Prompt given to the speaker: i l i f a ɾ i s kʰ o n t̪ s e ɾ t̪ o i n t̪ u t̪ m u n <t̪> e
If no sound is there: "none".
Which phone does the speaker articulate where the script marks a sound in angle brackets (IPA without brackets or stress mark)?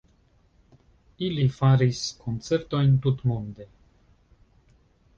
d̪